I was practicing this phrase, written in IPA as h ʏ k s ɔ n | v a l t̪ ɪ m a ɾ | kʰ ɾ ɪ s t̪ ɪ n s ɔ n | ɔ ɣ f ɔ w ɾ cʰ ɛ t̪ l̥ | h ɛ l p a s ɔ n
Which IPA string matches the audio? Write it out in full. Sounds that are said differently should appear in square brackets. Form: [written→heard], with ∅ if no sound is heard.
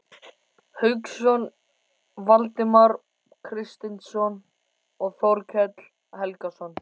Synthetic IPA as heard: h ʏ k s ɔ n | v a l t̪ ɪ m a ɾ | kʰ ɾ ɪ s t̪ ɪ n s ɔ n | ɔ ɣ [f→θ] ɔ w ɾ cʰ ɛ t̪ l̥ | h ɛ l [p→k] a s ɔ n